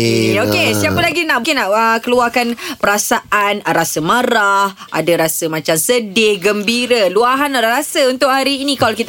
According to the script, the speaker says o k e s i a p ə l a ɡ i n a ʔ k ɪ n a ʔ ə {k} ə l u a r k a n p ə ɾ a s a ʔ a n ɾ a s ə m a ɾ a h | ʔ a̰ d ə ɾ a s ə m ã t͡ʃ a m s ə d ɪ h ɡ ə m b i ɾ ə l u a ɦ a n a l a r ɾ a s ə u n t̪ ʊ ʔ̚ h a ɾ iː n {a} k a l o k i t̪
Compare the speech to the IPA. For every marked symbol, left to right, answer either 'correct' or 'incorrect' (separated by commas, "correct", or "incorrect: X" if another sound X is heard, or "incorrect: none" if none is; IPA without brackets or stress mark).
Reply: correct, incorrect: i